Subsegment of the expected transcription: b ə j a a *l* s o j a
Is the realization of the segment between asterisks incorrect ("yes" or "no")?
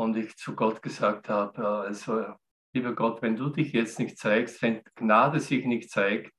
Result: no